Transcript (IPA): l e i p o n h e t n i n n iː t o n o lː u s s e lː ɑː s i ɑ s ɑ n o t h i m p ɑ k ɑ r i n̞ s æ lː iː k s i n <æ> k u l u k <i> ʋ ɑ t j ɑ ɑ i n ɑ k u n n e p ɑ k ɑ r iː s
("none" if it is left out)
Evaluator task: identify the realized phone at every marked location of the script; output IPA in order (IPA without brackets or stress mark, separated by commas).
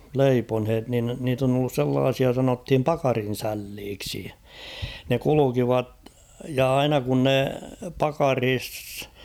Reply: e, i